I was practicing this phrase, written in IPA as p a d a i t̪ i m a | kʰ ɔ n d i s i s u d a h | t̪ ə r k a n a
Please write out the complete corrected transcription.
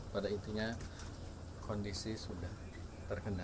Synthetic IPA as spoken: p a d a i t̪ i ɲ a | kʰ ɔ n d i s i s u d a h | t̪ ə r k ə n a